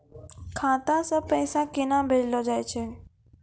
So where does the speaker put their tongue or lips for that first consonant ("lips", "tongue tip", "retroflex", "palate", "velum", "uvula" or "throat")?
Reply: velum